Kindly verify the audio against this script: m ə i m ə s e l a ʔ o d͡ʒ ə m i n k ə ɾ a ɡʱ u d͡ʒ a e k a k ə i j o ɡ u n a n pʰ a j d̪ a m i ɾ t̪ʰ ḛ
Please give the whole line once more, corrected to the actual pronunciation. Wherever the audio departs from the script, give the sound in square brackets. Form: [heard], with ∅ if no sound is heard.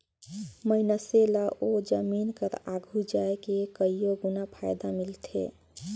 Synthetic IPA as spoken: m ə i [n] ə s e l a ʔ o d͡ʒ ə m i n k ə ɾ a ɡʱ u d͡ʒ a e k [e] k ə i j o ɡ u n a [∅] pʰ a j d̪ a m i [l] t̪ʰ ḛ